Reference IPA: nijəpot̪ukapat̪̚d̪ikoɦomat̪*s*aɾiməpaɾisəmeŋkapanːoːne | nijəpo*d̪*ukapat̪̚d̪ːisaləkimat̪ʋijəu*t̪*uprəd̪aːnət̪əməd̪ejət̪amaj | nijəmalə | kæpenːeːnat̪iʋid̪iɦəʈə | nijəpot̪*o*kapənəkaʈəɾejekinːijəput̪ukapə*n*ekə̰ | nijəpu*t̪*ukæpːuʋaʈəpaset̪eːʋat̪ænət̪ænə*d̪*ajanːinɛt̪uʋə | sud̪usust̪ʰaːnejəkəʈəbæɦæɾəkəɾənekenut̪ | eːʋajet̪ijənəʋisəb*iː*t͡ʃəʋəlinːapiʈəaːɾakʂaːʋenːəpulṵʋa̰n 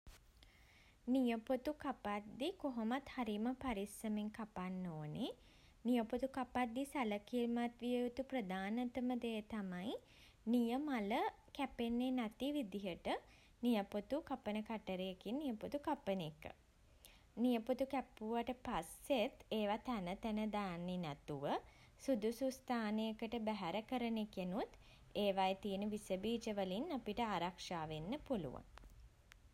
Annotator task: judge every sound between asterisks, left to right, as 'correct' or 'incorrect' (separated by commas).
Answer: incorrect, incorrect, correct, incorrect, correct, correct, correct, correct